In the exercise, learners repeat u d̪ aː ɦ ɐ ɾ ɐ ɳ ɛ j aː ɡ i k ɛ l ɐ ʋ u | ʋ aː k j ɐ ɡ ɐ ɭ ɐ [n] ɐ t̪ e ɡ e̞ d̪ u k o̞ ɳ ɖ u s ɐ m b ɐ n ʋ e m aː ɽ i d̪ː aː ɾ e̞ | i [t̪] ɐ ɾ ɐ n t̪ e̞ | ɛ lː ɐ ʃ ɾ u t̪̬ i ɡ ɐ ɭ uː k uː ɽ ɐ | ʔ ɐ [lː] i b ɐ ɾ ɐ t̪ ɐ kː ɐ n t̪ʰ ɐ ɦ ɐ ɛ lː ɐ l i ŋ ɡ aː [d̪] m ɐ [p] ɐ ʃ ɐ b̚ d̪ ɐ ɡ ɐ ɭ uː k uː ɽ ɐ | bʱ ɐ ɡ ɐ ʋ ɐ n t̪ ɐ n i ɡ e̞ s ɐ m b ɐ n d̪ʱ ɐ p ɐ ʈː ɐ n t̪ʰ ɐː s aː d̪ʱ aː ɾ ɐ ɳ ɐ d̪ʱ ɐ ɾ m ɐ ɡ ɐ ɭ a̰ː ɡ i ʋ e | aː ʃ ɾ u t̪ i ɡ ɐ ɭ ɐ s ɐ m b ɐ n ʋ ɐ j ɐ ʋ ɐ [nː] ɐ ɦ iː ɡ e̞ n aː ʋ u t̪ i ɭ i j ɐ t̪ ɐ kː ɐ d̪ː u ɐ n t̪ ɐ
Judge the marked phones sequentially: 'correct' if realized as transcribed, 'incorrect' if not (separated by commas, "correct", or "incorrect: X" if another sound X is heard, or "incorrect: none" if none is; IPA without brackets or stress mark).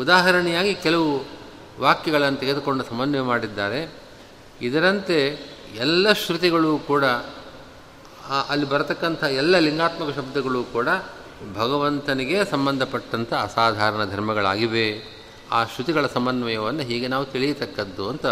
incorrect: nː, incorrect: d̪, correct, incorrect: t̪, incorrect: k, correct